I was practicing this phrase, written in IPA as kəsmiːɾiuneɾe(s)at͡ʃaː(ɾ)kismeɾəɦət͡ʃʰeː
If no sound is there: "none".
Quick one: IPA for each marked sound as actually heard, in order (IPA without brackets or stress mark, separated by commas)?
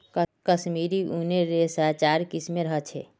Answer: s, ɾ